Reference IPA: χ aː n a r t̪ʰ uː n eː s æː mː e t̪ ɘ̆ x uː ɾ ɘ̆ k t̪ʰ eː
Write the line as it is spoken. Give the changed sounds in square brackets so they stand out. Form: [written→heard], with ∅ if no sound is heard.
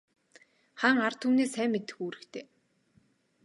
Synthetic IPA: χ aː [n→ŋ] a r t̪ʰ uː n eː s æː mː e t̪ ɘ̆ x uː ɾ ɘ̆ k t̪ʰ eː